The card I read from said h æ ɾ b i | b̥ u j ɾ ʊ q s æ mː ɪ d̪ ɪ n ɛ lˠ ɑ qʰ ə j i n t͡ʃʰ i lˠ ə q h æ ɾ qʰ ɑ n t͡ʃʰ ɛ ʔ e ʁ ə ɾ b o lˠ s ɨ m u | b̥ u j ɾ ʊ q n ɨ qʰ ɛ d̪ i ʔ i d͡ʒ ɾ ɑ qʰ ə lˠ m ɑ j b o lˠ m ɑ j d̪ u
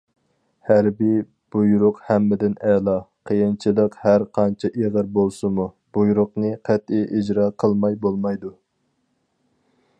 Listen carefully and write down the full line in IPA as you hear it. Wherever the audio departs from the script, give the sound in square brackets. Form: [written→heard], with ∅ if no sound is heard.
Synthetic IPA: h æ ɾ b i | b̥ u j ɾ ʊ q [s→h] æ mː ɪ d̪ ɪ n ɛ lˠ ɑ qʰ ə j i n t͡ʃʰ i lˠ ə q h æ ɾ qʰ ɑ n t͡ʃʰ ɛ ʔ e ʁ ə ɾ b o lˠ s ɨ m u | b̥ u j ɾ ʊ q n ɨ qʰ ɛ [d̪→t̪] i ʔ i d͡ʒ ɾ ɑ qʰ ə lˠ m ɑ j b o lˠ m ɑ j d̪ u